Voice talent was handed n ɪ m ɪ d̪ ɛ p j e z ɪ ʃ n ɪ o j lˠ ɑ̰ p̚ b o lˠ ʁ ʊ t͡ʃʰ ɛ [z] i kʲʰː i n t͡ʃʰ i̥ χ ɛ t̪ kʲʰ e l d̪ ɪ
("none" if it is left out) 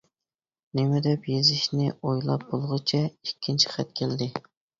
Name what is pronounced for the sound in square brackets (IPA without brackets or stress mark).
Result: none